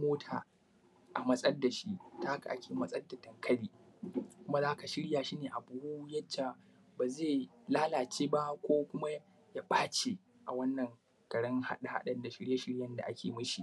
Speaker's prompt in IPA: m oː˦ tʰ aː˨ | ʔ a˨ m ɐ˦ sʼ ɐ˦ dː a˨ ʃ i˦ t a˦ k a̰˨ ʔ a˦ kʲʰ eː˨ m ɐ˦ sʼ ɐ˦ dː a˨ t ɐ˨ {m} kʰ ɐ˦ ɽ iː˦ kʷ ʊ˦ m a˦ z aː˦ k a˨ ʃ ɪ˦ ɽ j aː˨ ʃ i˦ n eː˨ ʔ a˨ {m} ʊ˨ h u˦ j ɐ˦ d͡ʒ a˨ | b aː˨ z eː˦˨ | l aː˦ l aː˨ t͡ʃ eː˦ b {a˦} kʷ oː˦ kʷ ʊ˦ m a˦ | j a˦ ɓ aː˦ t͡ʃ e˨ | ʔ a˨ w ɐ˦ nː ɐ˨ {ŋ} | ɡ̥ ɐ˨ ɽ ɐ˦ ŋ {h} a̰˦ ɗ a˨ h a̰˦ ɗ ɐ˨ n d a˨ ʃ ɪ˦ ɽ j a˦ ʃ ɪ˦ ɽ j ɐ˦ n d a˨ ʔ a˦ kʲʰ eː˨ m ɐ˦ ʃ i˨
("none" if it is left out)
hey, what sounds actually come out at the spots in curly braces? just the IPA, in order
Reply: ŋ, b, a˦, ŋ, h

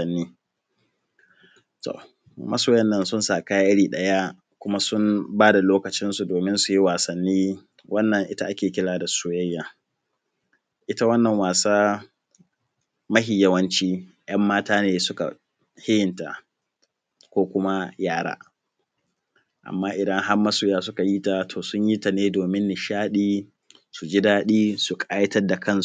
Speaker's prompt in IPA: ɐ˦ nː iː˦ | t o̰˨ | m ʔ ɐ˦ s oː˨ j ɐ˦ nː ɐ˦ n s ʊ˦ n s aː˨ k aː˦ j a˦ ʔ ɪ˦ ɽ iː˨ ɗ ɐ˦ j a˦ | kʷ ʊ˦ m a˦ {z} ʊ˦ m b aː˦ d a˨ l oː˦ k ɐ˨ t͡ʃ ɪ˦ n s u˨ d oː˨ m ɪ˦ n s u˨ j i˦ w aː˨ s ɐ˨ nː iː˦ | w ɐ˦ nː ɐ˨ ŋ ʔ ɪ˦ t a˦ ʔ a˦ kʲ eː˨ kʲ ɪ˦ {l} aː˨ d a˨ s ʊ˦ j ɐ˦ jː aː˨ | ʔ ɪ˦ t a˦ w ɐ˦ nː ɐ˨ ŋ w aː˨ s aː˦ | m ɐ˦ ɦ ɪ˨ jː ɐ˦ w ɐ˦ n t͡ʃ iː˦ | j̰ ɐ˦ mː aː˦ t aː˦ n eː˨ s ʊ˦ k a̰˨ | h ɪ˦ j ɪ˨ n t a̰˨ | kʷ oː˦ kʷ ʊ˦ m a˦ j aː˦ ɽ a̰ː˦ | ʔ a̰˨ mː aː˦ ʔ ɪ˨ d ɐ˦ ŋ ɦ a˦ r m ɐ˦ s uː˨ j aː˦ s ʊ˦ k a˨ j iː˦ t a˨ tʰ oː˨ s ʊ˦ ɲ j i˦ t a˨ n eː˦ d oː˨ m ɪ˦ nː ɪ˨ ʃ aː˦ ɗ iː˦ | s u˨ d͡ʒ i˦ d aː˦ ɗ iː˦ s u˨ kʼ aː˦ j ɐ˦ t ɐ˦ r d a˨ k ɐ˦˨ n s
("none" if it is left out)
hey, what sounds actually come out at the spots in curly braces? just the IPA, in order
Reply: s, l

